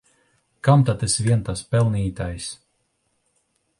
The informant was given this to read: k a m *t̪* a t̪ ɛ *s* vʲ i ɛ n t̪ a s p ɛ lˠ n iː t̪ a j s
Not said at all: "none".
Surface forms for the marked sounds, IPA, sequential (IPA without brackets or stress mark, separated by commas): t̪, s